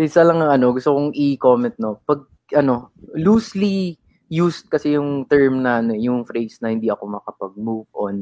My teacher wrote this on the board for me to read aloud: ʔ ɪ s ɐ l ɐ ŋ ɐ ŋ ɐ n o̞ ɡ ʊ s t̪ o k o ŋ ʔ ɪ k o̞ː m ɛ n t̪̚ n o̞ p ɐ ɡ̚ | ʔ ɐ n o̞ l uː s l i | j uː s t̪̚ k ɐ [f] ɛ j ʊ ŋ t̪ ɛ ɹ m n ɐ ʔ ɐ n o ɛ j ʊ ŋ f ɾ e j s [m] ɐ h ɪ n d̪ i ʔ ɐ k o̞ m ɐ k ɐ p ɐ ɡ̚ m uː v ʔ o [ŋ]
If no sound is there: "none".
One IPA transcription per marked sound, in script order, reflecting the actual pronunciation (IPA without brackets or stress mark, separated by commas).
s, n, n